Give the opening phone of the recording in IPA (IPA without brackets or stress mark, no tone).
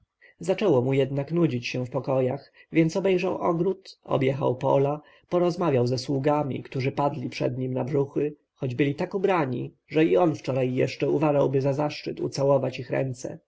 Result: z